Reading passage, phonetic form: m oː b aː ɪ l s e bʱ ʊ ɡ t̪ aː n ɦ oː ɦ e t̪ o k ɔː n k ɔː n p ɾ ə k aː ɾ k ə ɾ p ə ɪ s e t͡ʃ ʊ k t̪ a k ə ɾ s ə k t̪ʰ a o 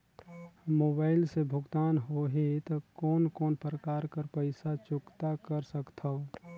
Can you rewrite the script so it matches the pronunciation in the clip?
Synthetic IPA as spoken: m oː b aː ɪ l s e bʱ ʊ ɡ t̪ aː n ɦ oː ɦ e t̪ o k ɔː n k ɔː n p ɾ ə k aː ɾ k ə ɾ p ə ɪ s a t͡ʃ ʊ k t̪ a k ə ɾ s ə k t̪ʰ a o